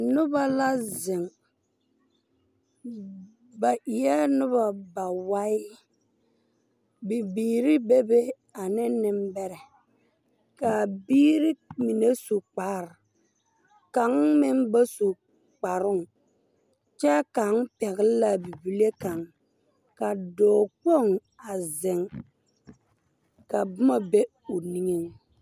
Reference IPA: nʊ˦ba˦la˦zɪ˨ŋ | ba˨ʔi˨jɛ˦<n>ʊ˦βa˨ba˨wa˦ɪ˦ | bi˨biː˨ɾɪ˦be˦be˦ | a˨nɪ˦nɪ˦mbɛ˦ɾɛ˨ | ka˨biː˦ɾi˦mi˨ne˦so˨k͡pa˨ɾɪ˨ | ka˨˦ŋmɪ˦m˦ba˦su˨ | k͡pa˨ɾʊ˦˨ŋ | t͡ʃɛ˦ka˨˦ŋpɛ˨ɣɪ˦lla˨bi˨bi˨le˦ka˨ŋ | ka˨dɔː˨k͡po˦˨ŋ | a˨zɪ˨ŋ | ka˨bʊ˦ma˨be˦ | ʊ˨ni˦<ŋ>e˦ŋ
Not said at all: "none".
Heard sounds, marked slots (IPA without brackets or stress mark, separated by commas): n, ŋ